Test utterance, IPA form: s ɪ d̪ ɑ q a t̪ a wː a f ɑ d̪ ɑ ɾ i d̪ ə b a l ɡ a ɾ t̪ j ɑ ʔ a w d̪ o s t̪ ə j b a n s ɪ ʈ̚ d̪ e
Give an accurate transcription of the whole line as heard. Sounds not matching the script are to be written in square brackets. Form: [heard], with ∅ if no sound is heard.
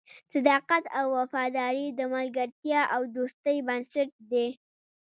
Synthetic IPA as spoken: s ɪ d̪ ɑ q a t̪ a wː a f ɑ d̪ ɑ ɾ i d̪ ə [m] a l ɡ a ɾ t̪ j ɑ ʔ a w d̪ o s t̪ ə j b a n s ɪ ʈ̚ d̪ e